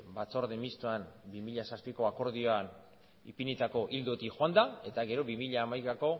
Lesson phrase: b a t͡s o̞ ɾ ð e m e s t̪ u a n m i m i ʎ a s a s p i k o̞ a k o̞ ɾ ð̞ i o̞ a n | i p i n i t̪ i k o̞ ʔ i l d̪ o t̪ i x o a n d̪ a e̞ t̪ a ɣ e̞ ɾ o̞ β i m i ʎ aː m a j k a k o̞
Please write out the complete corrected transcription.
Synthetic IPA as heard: b a t͡s o̞ ɾ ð e m i s t̪ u a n b i m i ʎ a s a s p i k o̞ a k o̞ ɾ ð̞ i o̞ a n | i p i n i t̪ a k o̞ ʔ i l d̪ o t̪ i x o a n d̪ a e̞ t̪ a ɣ e̞ ɾ o̞ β i m i ʎ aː m a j k a k o̞

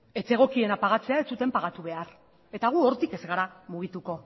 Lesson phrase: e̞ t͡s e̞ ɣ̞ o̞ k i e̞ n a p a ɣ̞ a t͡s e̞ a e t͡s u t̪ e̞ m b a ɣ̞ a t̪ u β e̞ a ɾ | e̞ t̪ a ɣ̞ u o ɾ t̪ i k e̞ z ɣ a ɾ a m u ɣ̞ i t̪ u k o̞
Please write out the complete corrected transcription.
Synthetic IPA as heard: e̞ t͡s e̞ ɣ̞ o̞ k i e̞ n a p a ɣ̞ a t͡s e̞ a e t͡s u t̪ e̞ m p a ɣ̞ a t̪ u β e̞ a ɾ | e̞ t̪ a ɣ̞ u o ɾ t̪ i k e̞ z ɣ a ɾ a m u ɣ̞ i t̪ u k o̞

